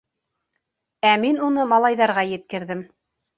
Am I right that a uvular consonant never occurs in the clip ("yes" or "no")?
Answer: no